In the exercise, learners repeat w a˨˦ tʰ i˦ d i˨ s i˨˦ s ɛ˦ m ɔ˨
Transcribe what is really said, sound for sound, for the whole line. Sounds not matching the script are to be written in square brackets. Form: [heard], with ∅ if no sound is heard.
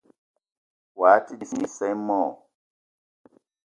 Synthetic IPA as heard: w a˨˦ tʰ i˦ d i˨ s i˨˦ s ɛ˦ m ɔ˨